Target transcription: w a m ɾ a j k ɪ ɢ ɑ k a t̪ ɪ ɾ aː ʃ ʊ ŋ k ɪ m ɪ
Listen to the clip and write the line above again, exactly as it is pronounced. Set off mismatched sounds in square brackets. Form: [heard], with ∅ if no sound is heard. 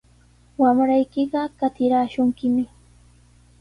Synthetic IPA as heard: w a m ɾ a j k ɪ ɢ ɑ k a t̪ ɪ ɾ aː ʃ ʊ ŋ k ɪ m ɪ